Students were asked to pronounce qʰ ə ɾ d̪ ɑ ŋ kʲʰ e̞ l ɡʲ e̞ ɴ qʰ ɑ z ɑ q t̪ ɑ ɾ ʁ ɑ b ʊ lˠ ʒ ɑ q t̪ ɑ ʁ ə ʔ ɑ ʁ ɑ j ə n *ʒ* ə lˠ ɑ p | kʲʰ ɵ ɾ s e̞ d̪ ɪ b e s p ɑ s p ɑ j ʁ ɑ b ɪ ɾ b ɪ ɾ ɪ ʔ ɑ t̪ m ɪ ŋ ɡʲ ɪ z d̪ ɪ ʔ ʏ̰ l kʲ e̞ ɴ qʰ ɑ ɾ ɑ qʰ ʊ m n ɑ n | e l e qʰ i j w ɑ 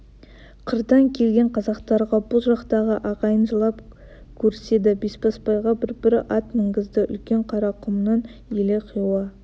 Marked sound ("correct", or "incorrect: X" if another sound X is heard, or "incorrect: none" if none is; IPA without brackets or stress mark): correct